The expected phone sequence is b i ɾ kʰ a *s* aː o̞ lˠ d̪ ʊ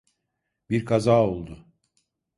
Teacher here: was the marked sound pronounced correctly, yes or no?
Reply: no